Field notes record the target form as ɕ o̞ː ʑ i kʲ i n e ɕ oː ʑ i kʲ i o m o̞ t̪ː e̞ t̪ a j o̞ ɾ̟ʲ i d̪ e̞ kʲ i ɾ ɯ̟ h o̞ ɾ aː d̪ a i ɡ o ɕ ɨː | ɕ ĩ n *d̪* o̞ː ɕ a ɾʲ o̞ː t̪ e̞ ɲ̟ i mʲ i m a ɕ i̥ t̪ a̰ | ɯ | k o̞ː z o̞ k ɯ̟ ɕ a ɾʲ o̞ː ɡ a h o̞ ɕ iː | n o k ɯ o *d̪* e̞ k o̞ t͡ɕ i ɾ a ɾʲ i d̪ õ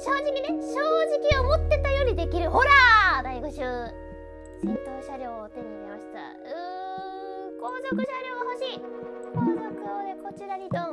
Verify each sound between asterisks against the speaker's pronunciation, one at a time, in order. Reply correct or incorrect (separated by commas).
incorrect, correct